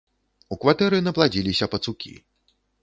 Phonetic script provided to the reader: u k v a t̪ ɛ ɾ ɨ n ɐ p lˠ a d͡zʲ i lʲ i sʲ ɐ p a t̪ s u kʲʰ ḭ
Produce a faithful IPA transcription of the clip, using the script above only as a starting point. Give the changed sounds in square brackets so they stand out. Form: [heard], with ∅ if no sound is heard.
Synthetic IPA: u k v a t̪ ɛ ɾ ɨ n ɐ p lˠ a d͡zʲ i lʲ i sʲ ɐ p [ɐ] t̪ s u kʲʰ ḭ